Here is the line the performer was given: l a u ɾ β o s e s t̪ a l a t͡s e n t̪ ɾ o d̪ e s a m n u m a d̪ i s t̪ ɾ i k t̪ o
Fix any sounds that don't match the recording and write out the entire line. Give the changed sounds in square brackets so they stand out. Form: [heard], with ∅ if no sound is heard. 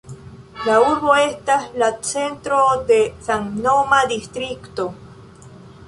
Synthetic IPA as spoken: l a u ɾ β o [∅] e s t̪ a l a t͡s e n t̪ ɾ o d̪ e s a [ŋ] n [o] m a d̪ i s t̪ ɾ i k t̪ o